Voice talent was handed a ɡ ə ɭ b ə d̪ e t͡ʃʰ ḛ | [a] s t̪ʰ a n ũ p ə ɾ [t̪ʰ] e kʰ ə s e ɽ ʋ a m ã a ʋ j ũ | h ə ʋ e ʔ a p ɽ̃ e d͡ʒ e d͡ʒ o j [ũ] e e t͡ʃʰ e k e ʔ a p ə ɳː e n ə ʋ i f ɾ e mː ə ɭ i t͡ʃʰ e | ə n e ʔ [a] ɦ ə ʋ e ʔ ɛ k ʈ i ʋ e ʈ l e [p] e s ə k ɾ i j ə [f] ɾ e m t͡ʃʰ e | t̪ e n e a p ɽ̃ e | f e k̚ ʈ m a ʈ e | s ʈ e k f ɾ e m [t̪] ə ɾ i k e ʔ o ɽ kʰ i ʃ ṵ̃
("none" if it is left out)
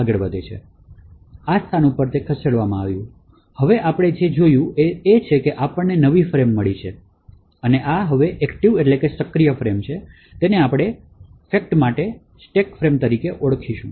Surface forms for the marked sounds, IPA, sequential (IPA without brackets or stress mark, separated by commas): a, t̪, ũ, a, k, f, t̪